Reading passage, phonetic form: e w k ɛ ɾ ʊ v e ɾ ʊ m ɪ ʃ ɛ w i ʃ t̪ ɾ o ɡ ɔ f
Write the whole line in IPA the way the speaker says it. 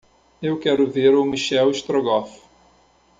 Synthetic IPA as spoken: e w k ɛ ɾ ʊ v e ɾ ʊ m i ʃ ɛ w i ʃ t̪ ɾ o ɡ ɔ f